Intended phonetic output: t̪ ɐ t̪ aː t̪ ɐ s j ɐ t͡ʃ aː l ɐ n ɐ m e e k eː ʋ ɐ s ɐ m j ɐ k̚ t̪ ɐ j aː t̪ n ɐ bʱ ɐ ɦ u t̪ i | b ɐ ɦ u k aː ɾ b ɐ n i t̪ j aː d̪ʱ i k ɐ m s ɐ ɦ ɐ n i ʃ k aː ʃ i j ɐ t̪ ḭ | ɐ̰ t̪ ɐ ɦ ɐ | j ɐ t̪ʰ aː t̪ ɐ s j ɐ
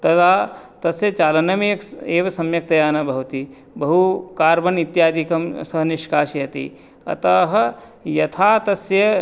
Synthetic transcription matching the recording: t̪ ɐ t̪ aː t̪ ɐ s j ɐ t͡ʃ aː l ɐ n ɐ m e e k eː ʋ ɐ s ɐ m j ɐ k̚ t̪ ɐ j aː n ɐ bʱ ɐ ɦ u t̪ i | b ɐ ɦ u k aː ɾ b ɐ n i t̪ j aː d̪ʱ i k ɐ m s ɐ ɦ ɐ n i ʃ k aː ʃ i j ɐ t̪ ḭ | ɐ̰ t̪ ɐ ɦ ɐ | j ɐ t̪ʰ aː t̪ ɐ s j ɐ

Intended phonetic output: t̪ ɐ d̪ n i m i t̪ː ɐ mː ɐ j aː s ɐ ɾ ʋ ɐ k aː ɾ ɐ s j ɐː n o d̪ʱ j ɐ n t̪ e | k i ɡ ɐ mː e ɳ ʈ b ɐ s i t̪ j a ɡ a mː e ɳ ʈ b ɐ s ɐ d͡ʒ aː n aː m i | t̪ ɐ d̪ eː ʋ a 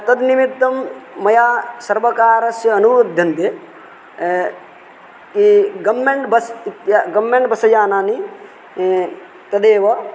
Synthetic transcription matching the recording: t̪ ɐ d̪ n i m i t̪ː ɐ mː ɐ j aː s ɐ ɾ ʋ ɐ k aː ɾ ɐ s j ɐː n u d̪ʱ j ɐ n t̪ e | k i ɡ ɐ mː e ɳ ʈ b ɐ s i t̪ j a ɡ ɐ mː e ɳ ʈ b ɐ s ɐ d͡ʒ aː n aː n i | t̪ ɐ d̪ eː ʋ ɐ

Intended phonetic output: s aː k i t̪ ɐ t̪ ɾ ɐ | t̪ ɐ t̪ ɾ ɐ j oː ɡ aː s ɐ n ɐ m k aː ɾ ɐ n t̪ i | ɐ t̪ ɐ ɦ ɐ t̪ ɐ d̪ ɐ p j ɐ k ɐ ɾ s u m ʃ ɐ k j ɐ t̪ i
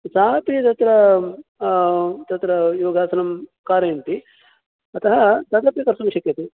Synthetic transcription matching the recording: s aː p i t̪ ɐ t̪ ɾ ɐ | t̪ ɐ t̪ ɾ ɐ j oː ɡ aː s ɐ n ɐ m k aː ɾ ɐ n t̪ i | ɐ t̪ ɐ ɦ ɐ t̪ ɐ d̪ ɐ p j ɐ k ɐ ɾ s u m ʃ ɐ k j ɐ t̪ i

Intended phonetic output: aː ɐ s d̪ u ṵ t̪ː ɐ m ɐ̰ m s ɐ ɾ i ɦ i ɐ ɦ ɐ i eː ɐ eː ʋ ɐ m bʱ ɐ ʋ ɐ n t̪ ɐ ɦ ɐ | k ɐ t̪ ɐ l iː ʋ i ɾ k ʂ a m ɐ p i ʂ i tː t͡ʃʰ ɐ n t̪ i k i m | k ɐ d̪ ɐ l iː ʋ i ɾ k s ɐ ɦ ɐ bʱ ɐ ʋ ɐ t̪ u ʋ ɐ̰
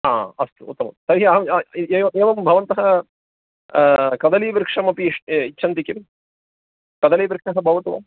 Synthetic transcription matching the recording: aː ɐ s t̪ u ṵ t̪ː ɐ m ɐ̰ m s ɐ ɾ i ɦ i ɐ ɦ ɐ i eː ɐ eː ʋ ɐ m bʱ ɐ ʋ ɐ n t̪ ɐ ɦ ɐ | k ɐ d̪ ɐ l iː ʋ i ɾ k ʂ ɐ m ɐ p i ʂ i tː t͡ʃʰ ɐ n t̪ i k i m | k ɐ d̪ ɐ l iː ʋ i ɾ k ʂ ɐ ɦ ɐ bʱ ɐ ʋ ɐ t̪ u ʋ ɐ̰

